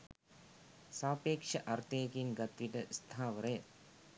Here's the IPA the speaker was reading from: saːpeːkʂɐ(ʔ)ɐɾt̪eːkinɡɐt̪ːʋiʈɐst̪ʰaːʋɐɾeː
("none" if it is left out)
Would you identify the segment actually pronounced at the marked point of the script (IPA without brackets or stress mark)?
ʔ